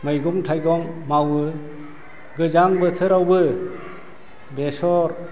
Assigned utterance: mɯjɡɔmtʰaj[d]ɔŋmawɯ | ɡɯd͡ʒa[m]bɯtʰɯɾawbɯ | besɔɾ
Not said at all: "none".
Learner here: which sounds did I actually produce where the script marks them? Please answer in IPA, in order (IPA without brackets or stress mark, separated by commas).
ɡ, ŋ